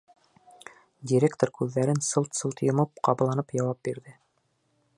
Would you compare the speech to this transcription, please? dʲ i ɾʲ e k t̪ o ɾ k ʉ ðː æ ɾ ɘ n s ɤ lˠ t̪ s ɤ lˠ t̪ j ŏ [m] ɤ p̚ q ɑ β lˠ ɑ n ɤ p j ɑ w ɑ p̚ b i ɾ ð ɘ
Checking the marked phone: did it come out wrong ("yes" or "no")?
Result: no